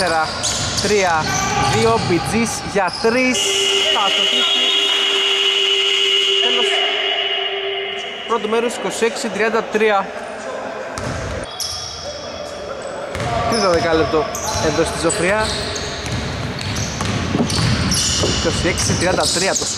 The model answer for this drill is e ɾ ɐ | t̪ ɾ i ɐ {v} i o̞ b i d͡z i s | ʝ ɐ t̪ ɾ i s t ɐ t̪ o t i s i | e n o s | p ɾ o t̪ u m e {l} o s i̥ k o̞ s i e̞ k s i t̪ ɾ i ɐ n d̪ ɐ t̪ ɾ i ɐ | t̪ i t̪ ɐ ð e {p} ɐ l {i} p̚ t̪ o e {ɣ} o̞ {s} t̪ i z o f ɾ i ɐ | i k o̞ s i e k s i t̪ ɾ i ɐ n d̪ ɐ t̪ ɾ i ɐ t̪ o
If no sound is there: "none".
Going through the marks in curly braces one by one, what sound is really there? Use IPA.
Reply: ð, ɾ, k, e, ð, s

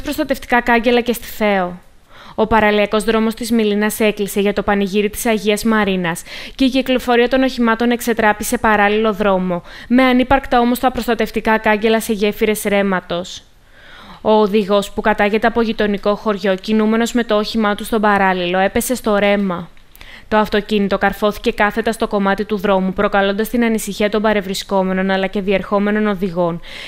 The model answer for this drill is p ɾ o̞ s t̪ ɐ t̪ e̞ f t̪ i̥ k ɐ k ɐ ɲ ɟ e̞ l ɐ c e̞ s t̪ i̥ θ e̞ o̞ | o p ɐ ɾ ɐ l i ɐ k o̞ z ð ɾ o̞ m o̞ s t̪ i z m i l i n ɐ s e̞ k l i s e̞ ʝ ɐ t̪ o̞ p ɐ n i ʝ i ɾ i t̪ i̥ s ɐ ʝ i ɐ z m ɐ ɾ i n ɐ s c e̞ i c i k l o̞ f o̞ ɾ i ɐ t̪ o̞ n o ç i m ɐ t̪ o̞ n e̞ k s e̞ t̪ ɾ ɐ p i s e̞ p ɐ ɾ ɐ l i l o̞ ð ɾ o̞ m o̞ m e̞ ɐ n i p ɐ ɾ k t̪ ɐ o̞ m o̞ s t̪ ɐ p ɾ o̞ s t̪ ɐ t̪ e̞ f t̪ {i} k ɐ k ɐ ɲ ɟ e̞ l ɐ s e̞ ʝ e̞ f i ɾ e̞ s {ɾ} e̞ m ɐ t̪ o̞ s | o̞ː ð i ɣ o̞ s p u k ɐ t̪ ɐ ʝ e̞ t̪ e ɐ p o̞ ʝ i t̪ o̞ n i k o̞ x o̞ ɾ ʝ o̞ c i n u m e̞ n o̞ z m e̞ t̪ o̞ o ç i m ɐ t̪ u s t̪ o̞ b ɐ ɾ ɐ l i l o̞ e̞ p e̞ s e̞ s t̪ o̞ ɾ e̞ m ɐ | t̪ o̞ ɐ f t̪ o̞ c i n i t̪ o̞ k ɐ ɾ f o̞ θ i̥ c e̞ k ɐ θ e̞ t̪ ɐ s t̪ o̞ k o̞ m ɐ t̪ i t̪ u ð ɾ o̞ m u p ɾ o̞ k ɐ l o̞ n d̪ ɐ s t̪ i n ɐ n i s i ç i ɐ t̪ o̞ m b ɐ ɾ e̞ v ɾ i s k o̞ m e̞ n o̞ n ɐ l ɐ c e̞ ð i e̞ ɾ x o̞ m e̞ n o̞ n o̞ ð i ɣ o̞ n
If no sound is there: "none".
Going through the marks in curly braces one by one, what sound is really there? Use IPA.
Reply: i, ɾ

